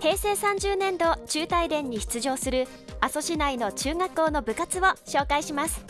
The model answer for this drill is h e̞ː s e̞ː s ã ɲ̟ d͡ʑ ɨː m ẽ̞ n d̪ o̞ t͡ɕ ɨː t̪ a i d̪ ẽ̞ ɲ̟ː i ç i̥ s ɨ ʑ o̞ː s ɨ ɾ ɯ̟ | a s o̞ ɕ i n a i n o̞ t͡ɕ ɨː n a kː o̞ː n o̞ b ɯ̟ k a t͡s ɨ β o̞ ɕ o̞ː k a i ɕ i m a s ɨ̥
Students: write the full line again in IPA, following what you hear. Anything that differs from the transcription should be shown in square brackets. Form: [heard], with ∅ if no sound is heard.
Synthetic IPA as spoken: h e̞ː s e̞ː s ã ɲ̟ d͡ʑ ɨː [n] ẽ̞ n d̪ o̞ t͡ɕ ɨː t̪ a i d̪ ẽ̞ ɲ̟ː i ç i̥ [t͡s] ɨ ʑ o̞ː s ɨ ɾ ɯ̟ | a s o̞ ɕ i n a i n o̞ t͡ɕ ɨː [ŋ] a kː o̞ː n o̞ b ɯ̟ k a t͡s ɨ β o̞ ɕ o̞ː k a i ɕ i m a s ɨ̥